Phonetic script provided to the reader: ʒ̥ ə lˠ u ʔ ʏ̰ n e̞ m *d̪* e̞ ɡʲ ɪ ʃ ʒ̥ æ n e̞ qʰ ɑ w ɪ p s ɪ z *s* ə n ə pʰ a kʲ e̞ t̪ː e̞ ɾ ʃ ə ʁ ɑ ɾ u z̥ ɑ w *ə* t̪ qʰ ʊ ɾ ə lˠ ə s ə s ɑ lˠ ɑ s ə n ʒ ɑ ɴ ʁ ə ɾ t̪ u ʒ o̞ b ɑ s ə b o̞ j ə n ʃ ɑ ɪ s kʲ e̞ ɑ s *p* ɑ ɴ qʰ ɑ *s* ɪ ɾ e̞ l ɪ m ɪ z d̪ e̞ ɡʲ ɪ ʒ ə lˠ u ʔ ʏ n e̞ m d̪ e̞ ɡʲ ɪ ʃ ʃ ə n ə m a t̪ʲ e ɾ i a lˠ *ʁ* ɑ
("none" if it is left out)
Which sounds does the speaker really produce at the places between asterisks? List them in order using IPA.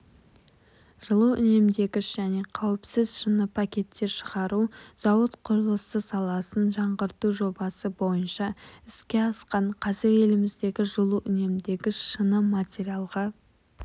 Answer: d̪, ʃ, ə, q, z, ʁ

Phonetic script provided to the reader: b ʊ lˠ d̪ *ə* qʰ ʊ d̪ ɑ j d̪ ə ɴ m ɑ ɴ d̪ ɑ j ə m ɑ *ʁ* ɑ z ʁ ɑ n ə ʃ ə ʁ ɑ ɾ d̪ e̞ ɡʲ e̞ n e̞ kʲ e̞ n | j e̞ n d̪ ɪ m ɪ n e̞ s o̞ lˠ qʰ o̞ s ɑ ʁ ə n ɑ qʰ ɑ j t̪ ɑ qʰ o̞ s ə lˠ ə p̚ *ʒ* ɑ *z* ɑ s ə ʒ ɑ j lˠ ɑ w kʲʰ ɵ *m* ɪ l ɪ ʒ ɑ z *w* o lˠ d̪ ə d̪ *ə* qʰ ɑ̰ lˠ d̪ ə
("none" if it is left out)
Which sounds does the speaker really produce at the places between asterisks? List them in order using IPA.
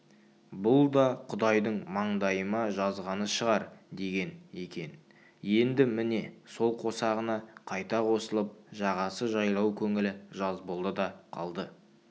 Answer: ɑ, ʒ, ʒ, ʁ, ŋ, b, ɑ

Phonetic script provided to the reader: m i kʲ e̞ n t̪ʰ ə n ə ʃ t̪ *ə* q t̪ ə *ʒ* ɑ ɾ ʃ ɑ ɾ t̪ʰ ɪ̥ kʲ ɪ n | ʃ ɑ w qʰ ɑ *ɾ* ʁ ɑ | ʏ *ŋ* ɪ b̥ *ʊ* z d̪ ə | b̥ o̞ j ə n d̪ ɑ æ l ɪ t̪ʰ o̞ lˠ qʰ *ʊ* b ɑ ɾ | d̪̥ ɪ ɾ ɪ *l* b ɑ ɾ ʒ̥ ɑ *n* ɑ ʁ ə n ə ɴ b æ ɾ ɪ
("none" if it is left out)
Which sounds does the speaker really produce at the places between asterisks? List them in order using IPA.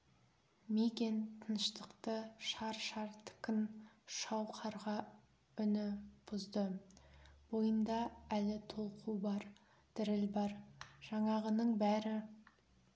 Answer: ə, ʃ, ɾ, n, ʊ, u, l, ɴ

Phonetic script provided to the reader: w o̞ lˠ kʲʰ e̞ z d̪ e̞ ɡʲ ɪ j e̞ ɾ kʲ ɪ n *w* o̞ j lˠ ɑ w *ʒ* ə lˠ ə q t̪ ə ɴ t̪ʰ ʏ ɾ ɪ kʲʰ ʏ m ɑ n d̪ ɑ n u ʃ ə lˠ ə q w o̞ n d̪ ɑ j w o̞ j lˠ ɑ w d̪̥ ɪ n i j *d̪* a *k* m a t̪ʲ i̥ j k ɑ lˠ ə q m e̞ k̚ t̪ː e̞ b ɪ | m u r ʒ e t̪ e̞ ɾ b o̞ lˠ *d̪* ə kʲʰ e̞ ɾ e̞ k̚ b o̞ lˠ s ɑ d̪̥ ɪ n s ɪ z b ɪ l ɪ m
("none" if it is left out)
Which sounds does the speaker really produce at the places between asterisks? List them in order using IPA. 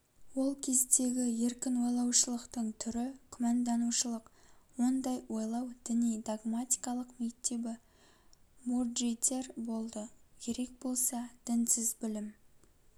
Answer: w, ʃ, d̪, ɡ, d̪

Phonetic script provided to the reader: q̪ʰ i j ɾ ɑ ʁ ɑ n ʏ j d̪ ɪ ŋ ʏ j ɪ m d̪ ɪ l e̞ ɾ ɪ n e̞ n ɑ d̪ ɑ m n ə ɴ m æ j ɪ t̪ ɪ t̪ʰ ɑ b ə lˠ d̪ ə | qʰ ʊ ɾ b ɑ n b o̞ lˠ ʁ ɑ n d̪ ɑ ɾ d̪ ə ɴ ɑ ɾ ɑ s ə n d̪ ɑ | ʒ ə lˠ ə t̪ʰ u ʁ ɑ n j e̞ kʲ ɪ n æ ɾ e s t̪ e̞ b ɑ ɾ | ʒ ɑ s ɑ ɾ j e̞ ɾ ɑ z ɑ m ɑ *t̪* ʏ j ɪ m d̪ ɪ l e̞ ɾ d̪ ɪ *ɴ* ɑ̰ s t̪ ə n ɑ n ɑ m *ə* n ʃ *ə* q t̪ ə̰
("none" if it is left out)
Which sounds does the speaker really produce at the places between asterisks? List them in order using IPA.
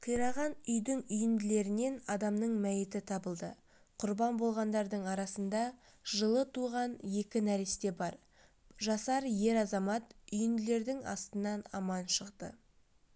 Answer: t̪, ŋ, ɑ, ə

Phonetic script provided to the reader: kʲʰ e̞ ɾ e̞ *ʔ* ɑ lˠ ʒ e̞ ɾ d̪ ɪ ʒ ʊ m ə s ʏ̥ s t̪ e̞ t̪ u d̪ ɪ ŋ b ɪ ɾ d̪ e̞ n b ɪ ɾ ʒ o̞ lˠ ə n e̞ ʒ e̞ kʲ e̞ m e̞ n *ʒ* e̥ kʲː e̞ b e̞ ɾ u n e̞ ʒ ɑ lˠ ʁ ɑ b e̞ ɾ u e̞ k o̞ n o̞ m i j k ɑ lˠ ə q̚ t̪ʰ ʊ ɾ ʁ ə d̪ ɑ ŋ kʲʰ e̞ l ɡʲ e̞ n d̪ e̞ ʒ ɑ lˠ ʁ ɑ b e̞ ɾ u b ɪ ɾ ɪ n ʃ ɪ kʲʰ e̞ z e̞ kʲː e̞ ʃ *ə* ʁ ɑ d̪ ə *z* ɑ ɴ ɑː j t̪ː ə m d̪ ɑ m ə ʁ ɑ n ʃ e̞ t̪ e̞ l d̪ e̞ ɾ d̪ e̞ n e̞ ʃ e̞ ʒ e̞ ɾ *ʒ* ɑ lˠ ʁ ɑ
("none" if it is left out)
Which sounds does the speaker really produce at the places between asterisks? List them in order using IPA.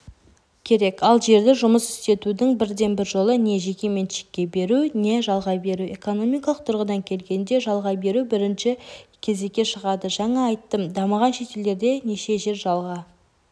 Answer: k, ʃ, ə, ʒ, ʒ

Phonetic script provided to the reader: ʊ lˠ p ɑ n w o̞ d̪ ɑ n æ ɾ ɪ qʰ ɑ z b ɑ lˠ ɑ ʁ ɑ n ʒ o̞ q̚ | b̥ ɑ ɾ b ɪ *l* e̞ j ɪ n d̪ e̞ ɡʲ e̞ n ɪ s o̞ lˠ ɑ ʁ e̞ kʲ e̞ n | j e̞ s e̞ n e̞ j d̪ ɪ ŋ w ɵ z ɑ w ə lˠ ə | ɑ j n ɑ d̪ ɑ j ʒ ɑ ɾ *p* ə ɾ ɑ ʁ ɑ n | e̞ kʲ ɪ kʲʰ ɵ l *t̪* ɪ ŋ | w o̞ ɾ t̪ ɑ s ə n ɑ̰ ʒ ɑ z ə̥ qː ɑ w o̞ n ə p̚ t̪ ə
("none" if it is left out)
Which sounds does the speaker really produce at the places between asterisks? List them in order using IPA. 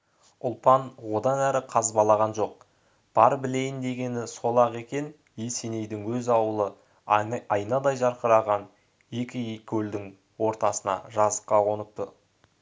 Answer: l, q, d̪

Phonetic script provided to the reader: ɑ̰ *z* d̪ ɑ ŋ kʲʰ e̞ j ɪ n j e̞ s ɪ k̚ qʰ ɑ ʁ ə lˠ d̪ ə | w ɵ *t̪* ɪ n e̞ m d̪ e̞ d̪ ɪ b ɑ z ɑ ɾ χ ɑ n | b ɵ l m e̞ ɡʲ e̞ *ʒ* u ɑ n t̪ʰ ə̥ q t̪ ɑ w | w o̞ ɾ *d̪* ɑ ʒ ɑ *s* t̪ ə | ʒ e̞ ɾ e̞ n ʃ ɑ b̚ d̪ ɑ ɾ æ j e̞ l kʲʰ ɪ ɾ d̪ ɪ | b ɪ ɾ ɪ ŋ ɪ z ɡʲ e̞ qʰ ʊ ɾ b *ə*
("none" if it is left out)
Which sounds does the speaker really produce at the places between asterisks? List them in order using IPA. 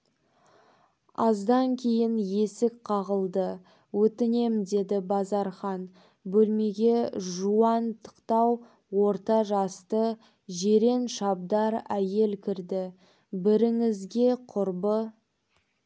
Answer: z, t̪, ʒ, t̪, s, ə

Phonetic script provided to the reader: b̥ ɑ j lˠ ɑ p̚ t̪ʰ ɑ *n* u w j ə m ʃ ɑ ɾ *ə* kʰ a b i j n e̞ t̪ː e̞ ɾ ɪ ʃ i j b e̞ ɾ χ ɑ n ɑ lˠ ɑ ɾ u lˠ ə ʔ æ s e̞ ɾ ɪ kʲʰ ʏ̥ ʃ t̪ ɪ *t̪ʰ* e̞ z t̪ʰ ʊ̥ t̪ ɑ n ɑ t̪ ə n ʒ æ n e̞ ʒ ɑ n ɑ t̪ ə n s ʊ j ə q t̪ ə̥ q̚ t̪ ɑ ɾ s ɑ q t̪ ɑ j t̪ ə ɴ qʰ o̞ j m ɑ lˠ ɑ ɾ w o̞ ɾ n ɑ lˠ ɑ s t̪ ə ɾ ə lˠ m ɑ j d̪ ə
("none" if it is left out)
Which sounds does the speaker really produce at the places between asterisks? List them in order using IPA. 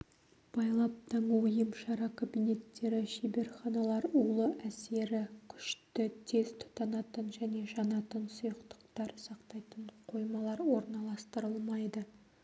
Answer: ɴ, ɑ, t̪ʰ

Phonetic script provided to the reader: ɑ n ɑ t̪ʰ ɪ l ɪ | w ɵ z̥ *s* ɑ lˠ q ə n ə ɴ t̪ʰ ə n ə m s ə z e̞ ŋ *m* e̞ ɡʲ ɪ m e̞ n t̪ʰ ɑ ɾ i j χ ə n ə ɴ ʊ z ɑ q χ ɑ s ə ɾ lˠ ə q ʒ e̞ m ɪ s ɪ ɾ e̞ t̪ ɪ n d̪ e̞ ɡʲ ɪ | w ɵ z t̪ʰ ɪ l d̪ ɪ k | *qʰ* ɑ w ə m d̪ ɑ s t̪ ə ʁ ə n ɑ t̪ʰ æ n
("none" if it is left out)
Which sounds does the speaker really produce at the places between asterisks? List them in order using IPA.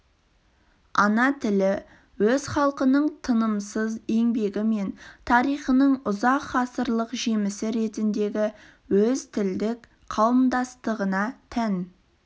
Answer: χ, b, qʰ

